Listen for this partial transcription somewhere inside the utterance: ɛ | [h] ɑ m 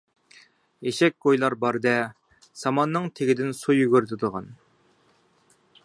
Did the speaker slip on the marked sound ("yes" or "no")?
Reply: yes